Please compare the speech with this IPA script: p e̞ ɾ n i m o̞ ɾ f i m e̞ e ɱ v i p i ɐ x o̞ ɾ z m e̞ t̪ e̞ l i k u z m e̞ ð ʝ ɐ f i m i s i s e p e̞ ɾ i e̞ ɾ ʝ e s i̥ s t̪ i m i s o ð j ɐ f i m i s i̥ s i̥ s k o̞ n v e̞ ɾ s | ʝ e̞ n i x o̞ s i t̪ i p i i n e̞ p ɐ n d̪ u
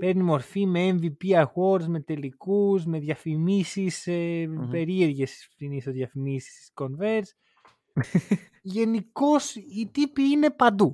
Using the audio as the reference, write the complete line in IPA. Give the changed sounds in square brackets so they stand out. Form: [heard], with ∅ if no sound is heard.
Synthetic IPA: p e̞ ɾ n i m o̞ ɾ f i m e̞ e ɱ v i p i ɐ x o̞ ɾ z m e̞ t̪ e̞ l i k u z m e̞ ð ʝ ɐ f i m i s i s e p e̞ ɾ i e̞ ɾ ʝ e s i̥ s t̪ i [n] i s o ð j ɐ f i m i s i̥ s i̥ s k o̞ n v e̞ ɾ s | ʝ e̞ n i [k] o̞ s i t̪ i p i i n e̞ p ɐ n d̪ u